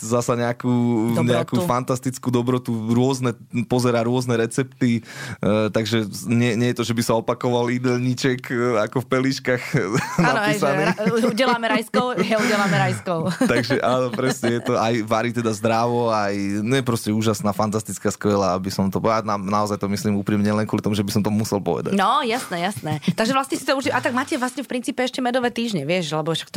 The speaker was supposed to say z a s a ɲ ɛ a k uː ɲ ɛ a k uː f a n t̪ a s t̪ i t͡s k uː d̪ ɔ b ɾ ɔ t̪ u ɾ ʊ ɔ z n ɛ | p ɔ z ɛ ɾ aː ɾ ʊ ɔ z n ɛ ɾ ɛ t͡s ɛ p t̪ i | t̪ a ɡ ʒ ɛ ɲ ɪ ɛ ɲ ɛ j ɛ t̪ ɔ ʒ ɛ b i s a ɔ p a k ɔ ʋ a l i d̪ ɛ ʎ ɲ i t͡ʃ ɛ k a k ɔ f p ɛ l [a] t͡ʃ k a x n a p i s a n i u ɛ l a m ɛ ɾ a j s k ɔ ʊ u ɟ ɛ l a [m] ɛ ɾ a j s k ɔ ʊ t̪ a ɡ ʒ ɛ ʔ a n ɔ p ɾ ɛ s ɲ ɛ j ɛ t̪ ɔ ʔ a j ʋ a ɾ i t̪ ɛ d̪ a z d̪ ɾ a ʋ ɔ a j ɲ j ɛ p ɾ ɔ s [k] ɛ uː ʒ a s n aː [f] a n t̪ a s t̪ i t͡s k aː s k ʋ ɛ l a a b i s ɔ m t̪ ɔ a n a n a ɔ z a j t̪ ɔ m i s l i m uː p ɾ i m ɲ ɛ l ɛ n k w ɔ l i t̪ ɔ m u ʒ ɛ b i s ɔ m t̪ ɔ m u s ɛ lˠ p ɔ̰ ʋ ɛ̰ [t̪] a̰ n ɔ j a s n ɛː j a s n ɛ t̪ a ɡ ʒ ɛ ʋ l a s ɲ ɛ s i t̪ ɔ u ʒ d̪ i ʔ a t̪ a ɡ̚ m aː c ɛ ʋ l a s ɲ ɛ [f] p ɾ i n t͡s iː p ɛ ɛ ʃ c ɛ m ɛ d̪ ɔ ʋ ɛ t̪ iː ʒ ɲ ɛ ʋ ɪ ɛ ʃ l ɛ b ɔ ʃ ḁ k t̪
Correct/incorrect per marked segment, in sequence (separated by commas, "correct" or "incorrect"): incorrect, correct, incorrect, correct, incorrect, correct